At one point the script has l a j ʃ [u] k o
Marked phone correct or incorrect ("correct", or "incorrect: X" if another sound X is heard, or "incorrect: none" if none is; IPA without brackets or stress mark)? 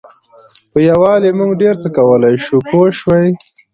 correct